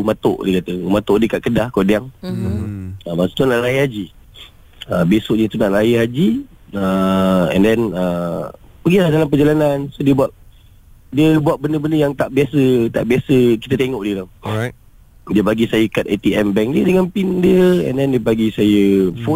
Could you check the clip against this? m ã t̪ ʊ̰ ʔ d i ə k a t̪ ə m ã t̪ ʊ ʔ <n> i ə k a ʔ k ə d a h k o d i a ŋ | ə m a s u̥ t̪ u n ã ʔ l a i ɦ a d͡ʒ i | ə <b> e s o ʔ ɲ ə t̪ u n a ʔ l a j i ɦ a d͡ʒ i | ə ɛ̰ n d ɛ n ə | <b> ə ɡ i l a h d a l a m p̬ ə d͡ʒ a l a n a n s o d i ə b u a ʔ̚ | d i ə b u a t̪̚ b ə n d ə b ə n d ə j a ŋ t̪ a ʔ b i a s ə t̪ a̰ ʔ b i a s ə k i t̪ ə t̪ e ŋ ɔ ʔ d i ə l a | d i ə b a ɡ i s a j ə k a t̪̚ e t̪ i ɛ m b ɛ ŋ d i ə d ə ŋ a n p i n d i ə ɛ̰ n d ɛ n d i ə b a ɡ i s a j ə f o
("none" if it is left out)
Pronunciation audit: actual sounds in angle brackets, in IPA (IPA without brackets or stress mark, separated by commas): d, b, p